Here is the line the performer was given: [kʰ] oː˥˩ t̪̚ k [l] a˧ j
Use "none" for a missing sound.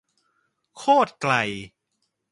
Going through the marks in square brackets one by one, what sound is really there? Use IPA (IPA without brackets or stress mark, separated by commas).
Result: kʰ, l